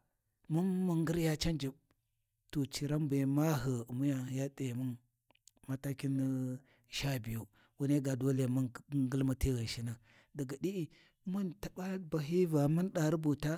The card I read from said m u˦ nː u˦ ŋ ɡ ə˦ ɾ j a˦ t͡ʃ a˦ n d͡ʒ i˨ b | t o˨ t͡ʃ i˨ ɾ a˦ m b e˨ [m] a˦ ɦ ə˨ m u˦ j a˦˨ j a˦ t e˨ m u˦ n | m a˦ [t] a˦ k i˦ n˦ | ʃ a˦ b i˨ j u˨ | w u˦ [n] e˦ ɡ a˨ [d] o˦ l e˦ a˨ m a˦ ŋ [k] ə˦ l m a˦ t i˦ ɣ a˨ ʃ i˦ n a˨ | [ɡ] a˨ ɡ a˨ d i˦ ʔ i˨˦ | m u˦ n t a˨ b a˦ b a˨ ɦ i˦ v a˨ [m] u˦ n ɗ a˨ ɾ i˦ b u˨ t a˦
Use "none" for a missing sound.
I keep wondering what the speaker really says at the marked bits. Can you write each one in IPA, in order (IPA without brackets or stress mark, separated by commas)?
m, t, n, d, ɡ, d, m